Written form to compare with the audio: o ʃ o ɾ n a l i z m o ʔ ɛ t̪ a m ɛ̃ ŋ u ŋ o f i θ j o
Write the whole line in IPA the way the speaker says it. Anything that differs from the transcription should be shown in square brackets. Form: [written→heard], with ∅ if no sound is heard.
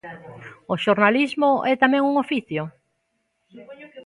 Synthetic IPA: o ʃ o ɾ n a l i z m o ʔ ɛ t̪ a m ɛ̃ ŋ u ŋ o f i θ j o